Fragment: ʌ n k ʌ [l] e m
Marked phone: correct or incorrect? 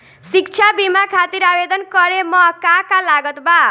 incorrect: ɾ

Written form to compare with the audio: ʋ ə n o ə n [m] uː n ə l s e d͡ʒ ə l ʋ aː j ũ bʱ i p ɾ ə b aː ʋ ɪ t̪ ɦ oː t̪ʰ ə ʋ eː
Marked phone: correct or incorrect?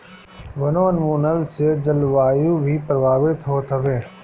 correct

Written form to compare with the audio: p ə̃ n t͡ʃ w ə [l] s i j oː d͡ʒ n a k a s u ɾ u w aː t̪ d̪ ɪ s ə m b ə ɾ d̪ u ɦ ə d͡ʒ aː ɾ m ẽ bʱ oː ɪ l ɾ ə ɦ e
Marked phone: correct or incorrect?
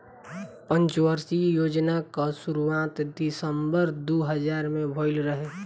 incorrect: ɾ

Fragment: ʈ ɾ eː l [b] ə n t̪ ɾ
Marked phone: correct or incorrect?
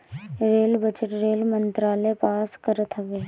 incorrect: m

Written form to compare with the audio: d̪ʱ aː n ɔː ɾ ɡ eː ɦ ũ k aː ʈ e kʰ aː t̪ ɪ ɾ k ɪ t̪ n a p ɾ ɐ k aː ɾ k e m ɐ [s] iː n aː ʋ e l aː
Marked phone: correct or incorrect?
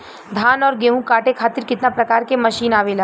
incorrect: ʃ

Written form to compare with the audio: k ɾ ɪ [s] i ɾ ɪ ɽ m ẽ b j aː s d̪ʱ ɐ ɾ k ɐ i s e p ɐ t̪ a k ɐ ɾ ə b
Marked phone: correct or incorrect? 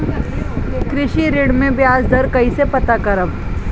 incorrect: ʃ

